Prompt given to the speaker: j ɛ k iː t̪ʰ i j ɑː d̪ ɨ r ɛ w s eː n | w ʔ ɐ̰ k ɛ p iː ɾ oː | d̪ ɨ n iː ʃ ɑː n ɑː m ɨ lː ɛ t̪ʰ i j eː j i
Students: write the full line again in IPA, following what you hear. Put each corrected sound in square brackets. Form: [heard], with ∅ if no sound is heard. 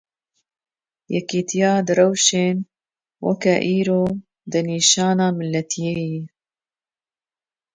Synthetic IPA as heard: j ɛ k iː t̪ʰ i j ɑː d̪ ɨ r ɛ w [ʃ] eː n | w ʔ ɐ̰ k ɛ [ʔ] iː ɾ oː | d̪ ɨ n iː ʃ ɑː n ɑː m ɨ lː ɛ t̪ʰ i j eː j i

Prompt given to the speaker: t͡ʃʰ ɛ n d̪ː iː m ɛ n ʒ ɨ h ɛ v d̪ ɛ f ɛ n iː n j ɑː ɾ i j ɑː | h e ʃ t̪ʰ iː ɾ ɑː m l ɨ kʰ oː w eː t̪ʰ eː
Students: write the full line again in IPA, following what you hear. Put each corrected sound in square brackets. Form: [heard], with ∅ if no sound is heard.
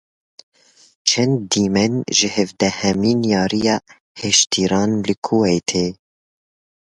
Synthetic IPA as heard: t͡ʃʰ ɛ n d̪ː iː m ɛ n ʒ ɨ h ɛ v d̪ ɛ [h] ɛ [m] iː n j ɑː ɾ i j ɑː | h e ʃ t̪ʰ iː ɾ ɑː [n] l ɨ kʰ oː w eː t̪ʰ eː

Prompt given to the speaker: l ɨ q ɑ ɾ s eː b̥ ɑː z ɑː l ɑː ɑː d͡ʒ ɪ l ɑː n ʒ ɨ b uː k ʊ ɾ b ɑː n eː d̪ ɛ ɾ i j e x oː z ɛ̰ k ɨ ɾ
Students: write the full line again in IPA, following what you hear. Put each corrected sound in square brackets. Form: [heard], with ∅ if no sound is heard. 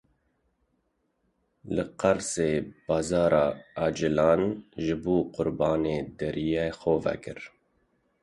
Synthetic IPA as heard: l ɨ q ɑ ɾ s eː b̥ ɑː z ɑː [ɾ] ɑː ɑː d͡ʒ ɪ l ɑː n ʒ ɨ b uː [q] ʊ ɾ b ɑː n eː d̪ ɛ ɾ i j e x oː [v] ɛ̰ k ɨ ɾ

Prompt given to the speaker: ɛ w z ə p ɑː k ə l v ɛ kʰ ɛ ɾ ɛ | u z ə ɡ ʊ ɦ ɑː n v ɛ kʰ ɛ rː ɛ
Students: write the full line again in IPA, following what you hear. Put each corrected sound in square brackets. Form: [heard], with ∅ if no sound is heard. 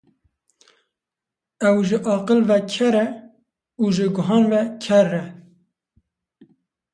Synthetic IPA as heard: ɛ w [ʒ] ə [ʔ] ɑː [q] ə l v ɛ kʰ ɛ ɾ ɛ | u [ʒ] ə ɡ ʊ ɦ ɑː n v ɛ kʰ ɛ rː ɛ

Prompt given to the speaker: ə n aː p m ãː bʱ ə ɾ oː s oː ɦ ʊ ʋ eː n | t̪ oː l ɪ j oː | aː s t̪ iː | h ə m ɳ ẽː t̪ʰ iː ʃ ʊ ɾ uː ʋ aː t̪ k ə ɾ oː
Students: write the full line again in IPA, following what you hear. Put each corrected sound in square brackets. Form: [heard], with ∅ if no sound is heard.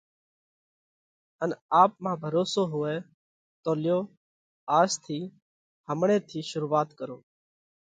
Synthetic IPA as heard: ə n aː p m ãː bʱ ə ɾ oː s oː ɦ ʊ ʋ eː [∅] | t̪ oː l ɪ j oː | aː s [t̪ʰ] iː | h ə m ɳ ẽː t̪ʰ iː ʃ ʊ ɾ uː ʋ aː t̪ k ə ɾ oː

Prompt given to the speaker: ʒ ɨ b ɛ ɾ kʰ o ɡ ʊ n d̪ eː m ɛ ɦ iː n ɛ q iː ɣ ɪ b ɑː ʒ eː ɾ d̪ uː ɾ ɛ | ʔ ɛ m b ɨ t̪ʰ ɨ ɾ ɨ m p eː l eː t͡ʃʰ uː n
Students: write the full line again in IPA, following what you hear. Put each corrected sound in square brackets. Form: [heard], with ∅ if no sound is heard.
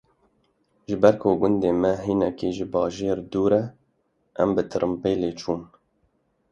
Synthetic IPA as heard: ʒ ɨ b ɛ ɾ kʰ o ɡ ʊ n d̪ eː m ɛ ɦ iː n ɛ [k] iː [ʒ] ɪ b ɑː ʒ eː ɾ d̪ uː ɾ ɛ | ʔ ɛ m b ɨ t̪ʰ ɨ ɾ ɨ m p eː l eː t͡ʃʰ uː n

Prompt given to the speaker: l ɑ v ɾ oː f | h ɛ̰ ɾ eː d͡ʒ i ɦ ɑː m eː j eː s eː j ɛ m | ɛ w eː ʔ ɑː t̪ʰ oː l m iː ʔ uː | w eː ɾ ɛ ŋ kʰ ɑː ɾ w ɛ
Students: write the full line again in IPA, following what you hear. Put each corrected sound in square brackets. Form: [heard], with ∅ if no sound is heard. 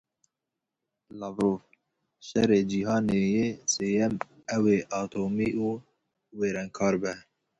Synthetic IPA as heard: l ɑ v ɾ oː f | [ʃ] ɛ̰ ɾ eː d͡ʒ i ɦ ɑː [n] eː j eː s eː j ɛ m | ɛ w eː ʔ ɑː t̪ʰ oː [∅] m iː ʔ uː | w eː ɾ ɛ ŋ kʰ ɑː ɾ [b] ɛ

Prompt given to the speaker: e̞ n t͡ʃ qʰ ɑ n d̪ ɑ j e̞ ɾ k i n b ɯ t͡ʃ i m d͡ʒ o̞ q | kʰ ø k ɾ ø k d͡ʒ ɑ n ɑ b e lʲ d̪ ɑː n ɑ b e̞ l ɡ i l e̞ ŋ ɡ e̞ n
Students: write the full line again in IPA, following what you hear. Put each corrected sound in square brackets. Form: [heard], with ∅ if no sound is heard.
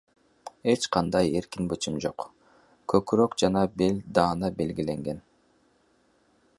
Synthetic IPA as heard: e̞ [∅] t͡ʃ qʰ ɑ n d̪ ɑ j e̞ ɾ k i n b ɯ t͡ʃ i m d͡ʒ o̞ q | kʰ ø k ɾ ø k d͡ʒ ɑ n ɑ b e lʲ d̪ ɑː n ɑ b e̞ l ɡ i l e̞ ŋ ɡ e̞ n

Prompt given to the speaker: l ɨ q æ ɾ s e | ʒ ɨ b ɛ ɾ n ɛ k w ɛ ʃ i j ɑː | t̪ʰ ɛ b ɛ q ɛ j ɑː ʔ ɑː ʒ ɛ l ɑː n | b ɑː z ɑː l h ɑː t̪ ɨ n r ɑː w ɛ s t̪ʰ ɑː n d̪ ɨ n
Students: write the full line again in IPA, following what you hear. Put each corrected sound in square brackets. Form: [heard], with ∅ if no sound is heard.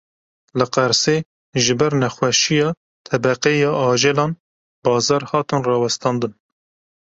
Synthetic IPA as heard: l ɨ q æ ɾ s e | ʒ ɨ b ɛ ɾ n ɛ [x] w ɛ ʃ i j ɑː | t̪ʰ ɛ b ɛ q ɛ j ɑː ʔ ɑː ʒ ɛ l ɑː n | b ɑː z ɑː [ɾ] h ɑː t̪ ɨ n r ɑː w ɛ s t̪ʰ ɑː n d̪ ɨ n

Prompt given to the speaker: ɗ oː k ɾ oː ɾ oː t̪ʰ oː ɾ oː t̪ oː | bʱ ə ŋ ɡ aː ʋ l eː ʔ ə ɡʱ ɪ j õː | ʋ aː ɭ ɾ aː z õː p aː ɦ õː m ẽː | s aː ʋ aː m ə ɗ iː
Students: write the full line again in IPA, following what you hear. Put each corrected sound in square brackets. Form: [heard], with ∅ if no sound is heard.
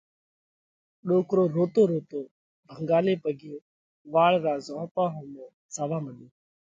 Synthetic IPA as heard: ɗ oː k ɾ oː ɾ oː [t̪] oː ɾ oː t̪ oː | bʱ ə ŋ ɡ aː [∅] l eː [p] ə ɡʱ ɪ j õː | ʋ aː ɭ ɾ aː z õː p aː ɦ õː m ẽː | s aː ʋ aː m ə ɗ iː

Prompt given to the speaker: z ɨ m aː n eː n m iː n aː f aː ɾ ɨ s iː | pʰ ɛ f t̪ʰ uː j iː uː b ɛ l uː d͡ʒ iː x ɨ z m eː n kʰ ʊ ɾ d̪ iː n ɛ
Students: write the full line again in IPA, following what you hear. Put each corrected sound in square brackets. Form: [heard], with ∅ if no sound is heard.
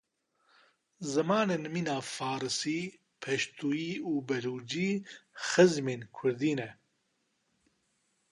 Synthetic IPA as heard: z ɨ m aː n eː n m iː n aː f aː ɾ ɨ s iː | pʰ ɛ [ʃ] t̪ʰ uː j iː uː b ɛ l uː d͡ʒ iː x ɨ z m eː n kʰ ʊ ɾ d̪ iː n ɛ

